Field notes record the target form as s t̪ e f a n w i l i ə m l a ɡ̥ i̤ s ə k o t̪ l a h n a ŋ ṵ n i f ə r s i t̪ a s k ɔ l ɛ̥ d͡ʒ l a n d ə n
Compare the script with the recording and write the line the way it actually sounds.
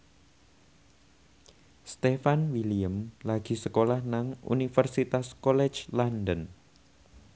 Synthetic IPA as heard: s t̪ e f a n w i l i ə m l a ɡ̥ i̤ s ə k o l a h n a ŋ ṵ n i f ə r s i t̪ a s k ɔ l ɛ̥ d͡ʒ l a n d ə n

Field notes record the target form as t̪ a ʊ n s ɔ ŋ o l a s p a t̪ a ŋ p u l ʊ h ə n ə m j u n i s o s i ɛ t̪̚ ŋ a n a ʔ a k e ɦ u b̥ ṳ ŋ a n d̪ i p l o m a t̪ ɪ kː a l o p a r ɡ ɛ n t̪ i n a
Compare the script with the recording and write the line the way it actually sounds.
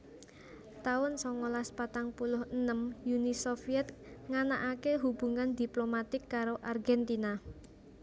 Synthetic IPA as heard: t̪ a ʊ n s ɔ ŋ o l a s p a t̪ a ŋ p u l ʊ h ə n ə m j u n i s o f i ɛ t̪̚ ŋ a n a ʔ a k e ɦ u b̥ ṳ ŋ a n d̪ i p l o m a t̪ ɪ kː a ɾ o ʔ a r ɡ ɛ n t̪ i n a

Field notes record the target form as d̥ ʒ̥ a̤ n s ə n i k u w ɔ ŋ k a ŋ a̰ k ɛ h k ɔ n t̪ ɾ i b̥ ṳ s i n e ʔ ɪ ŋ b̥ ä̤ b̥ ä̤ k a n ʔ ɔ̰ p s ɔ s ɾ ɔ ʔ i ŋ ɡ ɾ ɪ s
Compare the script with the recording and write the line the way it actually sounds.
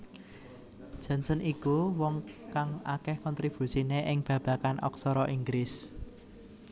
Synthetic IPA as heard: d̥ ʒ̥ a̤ n s ə n i k u w ɔ ŋ k a ŋ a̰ k ɛ h k ɔ n t̪ ɾ i b̥ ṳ s i n e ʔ ɪ ŋ b̥ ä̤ b̥ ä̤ k a n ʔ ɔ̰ k s ɔ ɾ ɔ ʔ i ŋ ɡ ɾ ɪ s

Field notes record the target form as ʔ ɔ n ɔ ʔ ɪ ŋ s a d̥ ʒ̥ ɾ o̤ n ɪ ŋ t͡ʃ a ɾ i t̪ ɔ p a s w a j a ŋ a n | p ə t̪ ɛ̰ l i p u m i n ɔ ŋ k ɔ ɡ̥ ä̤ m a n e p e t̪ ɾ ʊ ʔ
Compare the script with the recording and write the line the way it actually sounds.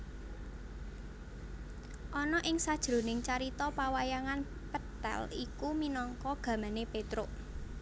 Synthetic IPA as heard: ʔ ɔ n ɔ ʔ ɪ ŋ s a d̥ ʒ̥ ɾ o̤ n ɪ ŋ t͡ʃ a ɾ i t̪ ɔ p a w a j a ŋ a n | p ə t̪ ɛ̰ l i k u m i n ɔ ŋ k ɔ ɡ̥ ä̤ m a n e p e t̪ ɾ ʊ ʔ

